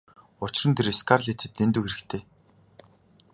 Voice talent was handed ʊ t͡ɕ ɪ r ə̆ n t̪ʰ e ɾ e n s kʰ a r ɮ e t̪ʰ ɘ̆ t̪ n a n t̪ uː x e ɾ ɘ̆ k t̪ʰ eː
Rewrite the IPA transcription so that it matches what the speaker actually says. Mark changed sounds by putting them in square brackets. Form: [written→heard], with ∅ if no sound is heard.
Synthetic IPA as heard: ʊ t͡ɕ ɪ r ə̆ n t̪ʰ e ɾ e [n→∅] s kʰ a r ɮ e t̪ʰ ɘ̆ t̪ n [a→e] n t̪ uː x e ɾ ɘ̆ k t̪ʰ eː